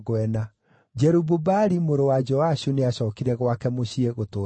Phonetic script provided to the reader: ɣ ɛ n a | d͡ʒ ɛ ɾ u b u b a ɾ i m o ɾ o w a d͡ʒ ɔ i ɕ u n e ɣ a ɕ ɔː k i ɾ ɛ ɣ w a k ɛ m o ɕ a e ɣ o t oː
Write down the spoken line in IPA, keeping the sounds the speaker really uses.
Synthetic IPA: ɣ ɛ n a | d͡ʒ ɛ ɾ u b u b a ɾ i m o ɾ o w a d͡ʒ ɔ a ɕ u n e a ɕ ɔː k i ɾ ɛ ɣ w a k ɛ m o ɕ i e ɣ o t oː